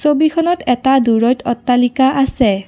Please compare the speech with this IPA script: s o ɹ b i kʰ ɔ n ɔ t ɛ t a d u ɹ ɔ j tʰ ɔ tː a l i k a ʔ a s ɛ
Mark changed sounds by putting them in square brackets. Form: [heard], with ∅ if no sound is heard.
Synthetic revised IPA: s o [∅] b i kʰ ɔ n ɔ t ɛ t a d u ɹ ɔ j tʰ ɔ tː a l i k a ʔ a s ɛ